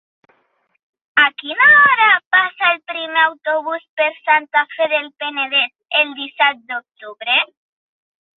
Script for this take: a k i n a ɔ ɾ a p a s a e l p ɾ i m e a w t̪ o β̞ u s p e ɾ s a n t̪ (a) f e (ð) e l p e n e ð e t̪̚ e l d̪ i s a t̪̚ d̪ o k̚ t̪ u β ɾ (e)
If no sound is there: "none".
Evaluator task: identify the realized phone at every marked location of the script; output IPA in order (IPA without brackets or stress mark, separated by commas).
a, ð, e